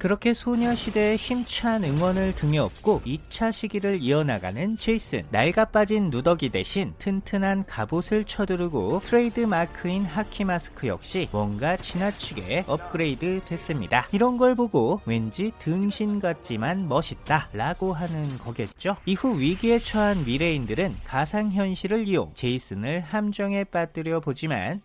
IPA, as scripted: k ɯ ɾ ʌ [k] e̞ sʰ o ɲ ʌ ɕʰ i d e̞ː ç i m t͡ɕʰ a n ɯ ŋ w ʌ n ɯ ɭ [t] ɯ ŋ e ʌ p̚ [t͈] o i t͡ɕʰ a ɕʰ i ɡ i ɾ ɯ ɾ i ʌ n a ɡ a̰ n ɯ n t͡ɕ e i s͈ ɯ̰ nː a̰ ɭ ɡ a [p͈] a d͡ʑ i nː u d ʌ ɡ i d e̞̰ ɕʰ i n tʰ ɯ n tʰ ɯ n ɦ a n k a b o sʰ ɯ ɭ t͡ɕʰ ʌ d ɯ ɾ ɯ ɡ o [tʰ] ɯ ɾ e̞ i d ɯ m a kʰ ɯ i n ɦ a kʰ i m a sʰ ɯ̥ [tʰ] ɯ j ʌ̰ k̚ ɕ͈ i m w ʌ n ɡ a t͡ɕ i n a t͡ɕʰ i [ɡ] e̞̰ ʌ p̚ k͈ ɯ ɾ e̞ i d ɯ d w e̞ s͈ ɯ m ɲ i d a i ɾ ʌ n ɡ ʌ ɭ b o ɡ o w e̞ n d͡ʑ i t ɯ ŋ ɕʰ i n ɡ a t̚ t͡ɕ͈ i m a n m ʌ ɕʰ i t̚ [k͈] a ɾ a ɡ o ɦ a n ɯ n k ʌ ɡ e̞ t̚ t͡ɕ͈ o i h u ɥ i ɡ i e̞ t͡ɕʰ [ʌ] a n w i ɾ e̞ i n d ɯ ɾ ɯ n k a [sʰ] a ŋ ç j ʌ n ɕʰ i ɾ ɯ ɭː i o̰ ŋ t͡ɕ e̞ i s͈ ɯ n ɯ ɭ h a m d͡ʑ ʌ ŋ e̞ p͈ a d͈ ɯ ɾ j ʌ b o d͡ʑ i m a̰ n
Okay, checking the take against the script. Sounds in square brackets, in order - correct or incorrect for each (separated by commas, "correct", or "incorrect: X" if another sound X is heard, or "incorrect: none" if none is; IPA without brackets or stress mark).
incorrect: kʰ, correct, incorrect: k͈, correct, correct, incorrect: kʰ, correct, incorrect: t͈, correct, correct